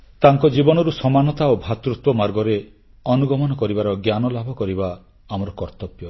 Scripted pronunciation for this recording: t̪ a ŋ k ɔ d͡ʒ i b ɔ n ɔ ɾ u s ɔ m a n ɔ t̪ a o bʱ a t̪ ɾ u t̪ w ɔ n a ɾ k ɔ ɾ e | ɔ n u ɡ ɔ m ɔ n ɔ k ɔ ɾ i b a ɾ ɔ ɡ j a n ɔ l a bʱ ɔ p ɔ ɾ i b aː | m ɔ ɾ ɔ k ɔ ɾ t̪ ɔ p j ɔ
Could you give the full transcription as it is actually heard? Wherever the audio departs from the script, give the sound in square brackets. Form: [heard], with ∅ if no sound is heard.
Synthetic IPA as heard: t̪ a ŋ k ɔ d͡ʒ i b ɔ n ɔ ɾ u s ɔ m a n ɔ t̪ a o bʱ a t̪ ɾ u t̪ w ɔ [m] a ɾ [ɡ] ɔ ɾ e | ɔ n u ɡ ɔ m ɔ n ɔ k ɔ ɾ i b a ɾ ɔ ɡ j a n ɔ l a bʱ ɔ [k] ɔ ɾ i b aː | m ɔ ɾ ɔ k ɔ ɾ t̪ ɔ p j ɔ

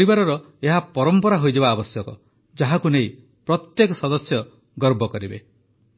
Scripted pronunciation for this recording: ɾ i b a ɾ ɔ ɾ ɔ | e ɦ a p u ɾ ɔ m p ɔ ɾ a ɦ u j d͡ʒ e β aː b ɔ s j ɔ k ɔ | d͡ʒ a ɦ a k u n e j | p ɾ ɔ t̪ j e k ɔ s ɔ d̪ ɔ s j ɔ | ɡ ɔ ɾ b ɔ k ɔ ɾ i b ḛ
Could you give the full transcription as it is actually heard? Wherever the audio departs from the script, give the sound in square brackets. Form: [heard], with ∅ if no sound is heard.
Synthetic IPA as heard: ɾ i b a ɾ ɔ ɾ ɔ | e ɦ a p [ɔ] ɾ ɔ m p ɔ ɾ a ɦ [o] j d͡ʒ e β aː b ɔ s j ɔ k ɔ | d͡ʒ a ɦ a k u n e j | p ɾ ɔ t̪ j e k ɔ s ɔ d̪ ɔ s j ɔ | ɡ ɔ ɾ b ɔ k ɔ ɾ i b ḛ

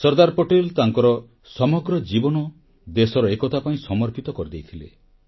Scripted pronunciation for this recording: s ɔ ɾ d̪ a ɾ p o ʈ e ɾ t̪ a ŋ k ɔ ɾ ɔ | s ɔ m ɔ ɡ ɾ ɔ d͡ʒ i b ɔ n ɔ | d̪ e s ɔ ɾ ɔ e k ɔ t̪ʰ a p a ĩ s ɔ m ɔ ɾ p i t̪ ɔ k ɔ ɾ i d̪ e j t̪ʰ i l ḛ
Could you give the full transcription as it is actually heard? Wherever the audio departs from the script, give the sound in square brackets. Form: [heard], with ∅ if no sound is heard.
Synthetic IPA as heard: s ɔ ɾ d̪ a ɾ p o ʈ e [l] t̪ a ŋ k ɔ ɾ ɔ | s ɔ m ɔ ɡ ɾ ɔ d͡ʒ i b ɔ n ɔ | d̪ e s ɔ ɾ ɔ e k ɔ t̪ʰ a p a ĩ s ɔ m ɔ ɾ p i t̪ ɔ k ɔ ɾ i d̪ e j t̪ʰ i l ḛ

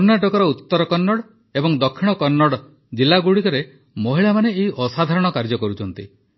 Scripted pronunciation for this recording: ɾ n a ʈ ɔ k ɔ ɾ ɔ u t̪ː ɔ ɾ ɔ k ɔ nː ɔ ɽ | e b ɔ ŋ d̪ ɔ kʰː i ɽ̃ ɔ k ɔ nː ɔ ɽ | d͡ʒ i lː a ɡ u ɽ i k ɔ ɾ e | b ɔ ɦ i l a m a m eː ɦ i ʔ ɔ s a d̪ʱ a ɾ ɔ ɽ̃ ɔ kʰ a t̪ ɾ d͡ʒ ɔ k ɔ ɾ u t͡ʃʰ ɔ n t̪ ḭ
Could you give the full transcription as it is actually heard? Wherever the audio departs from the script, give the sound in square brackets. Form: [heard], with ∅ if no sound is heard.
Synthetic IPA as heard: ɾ n a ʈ ɔ k ɔ ɾ ɔ u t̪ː ɔ ɾ ɔ k ɔ nː ɔ ɽ | e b ɔ ŋ d̪ ɔ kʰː i ɽ̃ ɔ k ɔ nː ɔ ɽ | d͡ʒ i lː a ɡ u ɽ i k ɔ ɾ e | [m] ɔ ɦ i [ɭ] a m a [n] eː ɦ i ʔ ɔ s a d̪ʱ a ɾ ɔ ɽ̃ ɔ [k] a [∅] ɾ d͡ʒ ɔ k ɔ ɾ u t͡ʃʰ ɔ n t̪ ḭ

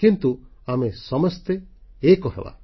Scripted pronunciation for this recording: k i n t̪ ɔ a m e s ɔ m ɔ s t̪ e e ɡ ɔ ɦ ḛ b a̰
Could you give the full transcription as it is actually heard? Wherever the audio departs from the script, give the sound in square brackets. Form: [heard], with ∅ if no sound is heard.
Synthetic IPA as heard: k i n t̪ [u] a m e s ɔ m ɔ s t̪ e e [k] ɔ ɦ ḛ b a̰

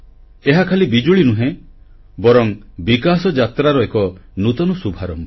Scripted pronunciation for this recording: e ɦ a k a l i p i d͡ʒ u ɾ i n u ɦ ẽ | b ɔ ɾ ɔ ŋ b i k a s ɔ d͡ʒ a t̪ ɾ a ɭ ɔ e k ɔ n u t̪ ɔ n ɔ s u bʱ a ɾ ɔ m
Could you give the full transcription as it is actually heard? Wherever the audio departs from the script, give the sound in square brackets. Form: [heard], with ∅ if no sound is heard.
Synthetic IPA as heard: e ɦ a [kʰ] a l i [b] i d͡ʒ u [ɭ] i n u ɦ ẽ | b ɔ ɾ ɔ ŋ b i k a s ɔ d͡ʒ a t̪ ɾ a [ɾ] ɔ e k ɔ n u t̪ ɔ n ɔ s u bʱ a ɾ ɔ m

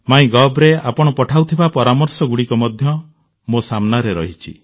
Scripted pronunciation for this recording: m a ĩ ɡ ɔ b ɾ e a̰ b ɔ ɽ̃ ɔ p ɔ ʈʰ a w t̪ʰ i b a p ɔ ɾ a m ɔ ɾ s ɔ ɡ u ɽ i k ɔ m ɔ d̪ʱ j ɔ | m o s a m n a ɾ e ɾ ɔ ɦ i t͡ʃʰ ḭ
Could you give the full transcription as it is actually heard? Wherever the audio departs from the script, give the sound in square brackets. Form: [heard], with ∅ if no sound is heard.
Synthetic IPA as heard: m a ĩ ɡ ɔ b ɾ e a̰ [p] ɔ ɽ̃ ɔ p ɔ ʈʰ a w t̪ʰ i b a p ɔ ɾ a m ɔ ɾ s ɔ ɡ u ɽ i k ɔ m ɔ d̪ʱ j ɔ | m o s a m n a ɾ e ɾ ɔ ɦ i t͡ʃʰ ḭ

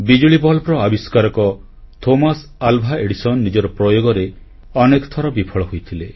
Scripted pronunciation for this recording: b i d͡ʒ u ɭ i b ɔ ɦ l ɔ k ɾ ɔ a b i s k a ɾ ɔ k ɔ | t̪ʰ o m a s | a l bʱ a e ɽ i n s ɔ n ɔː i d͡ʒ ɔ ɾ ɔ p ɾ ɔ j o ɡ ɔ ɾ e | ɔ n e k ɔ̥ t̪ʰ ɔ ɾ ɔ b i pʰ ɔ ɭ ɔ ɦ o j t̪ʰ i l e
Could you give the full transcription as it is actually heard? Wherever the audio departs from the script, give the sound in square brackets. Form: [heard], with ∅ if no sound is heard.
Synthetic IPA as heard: b i d͡ʒ u ɭ i b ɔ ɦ l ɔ [p] ɾ ɔ a b i s k a ɾ ɔ k ɔ | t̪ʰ o m a s | a l bʱ a e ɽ i [∅] s ɔ n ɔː i d͡ʒ ɔ ɾ ɔ p ɾ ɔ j o ɡ ɔ ɾ e | ɔ n e k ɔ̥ t̪ʰ ɔ ɾ ɔ b i pʰ ɔ ɭ ɔ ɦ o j t̪ʰ i l e

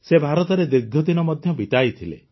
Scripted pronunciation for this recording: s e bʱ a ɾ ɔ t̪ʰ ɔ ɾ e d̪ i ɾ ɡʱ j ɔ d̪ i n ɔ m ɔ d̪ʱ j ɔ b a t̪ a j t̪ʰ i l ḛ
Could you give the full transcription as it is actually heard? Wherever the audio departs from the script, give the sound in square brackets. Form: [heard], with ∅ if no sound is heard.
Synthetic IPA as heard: s e bʱ a ɾ ɔ [t̪] ɔ ɾ e d̪ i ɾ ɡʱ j ɔ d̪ i n ɔ m ɔ d̪ʱ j ɔ b [i] t̪ a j t̪ʰ i l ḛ

